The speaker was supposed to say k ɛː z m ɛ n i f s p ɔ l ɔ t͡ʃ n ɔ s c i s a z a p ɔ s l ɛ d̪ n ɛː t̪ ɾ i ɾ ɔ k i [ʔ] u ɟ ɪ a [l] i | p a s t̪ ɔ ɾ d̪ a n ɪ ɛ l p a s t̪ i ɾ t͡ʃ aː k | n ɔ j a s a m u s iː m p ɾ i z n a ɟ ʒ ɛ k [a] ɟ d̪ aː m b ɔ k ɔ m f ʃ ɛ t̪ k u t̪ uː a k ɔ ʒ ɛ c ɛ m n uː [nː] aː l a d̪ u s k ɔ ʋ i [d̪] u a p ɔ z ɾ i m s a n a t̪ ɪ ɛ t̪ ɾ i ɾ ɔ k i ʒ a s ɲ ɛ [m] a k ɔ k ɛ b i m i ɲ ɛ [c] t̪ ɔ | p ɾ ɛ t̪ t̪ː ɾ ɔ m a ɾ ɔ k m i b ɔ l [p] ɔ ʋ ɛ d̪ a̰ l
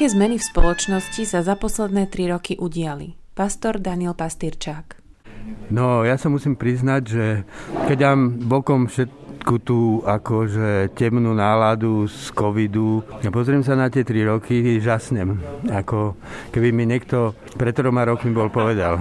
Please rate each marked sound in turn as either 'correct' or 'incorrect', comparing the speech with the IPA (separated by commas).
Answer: correct, correct, incorrect, incorrect, correct, correct, incorrect, correct